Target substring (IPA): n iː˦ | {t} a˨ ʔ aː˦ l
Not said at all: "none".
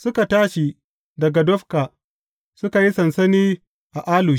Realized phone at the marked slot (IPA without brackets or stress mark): ʔ